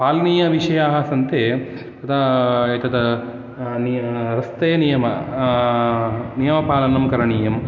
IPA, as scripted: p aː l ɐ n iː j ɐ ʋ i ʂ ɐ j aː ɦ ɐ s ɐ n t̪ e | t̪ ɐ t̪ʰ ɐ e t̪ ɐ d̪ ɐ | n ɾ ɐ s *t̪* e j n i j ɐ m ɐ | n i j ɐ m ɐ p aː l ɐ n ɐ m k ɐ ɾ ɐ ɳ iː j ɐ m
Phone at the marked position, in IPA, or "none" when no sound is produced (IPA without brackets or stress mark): t̪